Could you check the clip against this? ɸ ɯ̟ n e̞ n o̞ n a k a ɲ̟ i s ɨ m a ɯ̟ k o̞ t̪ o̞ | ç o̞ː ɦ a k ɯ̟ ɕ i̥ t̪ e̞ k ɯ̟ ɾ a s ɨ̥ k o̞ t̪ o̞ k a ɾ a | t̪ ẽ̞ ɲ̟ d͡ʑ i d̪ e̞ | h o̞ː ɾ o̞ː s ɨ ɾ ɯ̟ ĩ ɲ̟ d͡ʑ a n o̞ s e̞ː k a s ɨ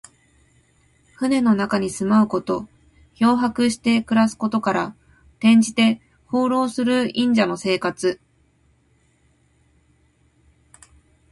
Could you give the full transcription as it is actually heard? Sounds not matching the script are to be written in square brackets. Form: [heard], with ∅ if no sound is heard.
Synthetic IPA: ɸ ɯ̟ n e̞ n o̞ n a k a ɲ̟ i s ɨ m a ɯ̟ k o̞ t̪ o̞ | ç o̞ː ɦ a k ɯ̟ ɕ i̥ t̪ e̞ k ɯ̟ ɾ a s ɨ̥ k o̞ t̪ o̞ k a ɾ a | t̪ ẽ̞ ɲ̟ d͡ʑ i [t̪] e̞ | h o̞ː ɾ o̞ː s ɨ ɾ ɯ̟ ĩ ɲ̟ d͡ʑ a n o̞ s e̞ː k a [t͡s] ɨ

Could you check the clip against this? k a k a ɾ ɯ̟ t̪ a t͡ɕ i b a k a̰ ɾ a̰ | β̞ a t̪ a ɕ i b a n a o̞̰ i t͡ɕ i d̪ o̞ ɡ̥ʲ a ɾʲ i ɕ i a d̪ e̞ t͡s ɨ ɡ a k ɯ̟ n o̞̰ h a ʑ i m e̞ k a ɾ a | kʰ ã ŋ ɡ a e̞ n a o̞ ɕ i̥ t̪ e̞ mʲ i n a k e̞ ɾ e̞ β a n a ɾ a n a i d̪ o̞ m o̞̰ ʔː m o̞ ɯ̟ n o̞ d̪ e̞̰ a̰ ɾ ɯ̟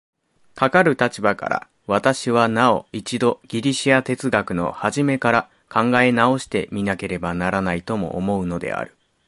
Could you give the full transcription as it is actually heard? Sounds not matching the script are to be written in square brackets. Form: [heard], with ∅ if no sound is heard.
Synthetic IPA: k a k a ɾ ɯ̟ t̪ a t͡ɕ i b a k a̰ ɾ a̰ | β̞ a t̪ a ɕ i [β] a n a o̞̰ i t͡ɕ i d̪ o̞ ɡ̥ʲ [i] ɾʲ i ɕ i a [t̪] e̞ t͡s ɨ ɡ a k ɯ̟ n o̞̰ h a ʑ i m e̞ k a ɾ a | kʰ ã ŋ ɡ a e̞ n a o̞ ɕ i̥ t̪ e̞ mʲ i n a k e̞ ɾ e̞ [b] a n a ɾ a n a i [t̪] o̞ m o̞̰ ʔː m o̞ ɯ̟ n o̞ d̪ e̞̰ a̰ ɾ ɯ̟

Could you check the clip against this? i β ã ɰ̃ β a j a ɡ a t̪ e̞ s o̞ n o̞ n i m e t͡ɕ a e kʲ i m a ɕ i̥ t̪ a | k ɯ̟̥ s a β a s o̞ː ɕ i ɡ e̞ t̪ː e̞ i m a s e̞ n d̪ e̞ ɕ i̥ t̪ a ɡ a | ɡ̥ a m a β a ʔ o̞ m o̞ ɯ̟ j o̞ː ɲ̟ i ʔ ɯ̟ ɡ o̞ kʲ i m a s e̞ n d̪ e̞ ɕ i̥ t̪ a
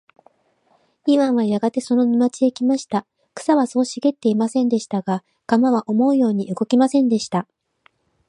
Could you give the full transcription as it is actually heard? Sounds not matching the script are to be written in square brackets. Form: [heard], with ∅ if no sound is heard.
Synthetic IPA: i β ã ɰ̃ β a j a ɡ a t̪ e̞ s o̞ n o̞ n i m [a] t͡ɕ [i] e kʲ i m a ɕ i̥ t̪ a | k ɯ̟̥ s a β a s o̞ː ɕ i ɡ e̞ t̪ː e̞ i m a s [ẽ̞] n d̪ e̞ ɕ i̥ t̪ a ɡ a | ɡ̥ a m a β a ʔ o̞ m o̞ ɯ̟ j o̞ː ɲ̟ i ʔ ɯ̟ ɡ o̞ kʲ i m a s [ẽ̞] n d̪ e̞ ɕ i̥ t̪ a

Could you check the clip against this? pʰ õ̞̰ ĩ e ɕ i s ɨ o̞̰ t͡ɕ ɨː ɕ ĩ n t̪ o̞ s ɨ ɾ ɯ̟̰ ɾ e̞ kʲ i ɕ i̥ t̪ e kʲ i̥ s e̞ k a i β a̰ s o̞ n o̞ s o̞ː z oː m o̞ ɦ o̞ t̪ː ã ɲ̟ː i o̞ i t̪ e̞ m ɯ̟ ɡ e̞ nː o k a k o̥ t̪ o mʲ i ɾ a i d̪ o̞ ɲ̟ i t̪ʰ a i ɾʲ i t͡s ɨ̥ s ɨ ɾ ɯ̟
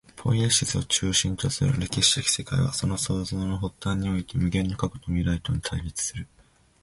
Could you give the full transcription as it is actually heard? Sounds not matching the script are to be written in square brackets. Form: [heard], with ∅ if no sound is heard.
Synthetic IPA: pʰ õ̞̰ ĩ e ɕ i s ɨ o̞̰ t͡ɕ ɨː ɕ ĩ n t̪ o̞ s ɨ ɾ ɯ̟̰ ɾ e̞ kʲ i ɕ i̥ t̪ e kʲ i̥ s e̞ k a i β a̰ s o̞ n o̞ s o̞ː z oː [n] o̞ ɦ o̞ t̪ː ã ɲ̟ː i o̞ i t̪ e̞ m ɯ̟ ɡ [ẽ̞] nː o k a k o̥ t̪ o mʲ i ɾ a i [t̪] o̞ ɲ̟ i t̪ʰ a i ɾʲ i t͡s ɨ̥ s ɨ ɾ ɯ̟

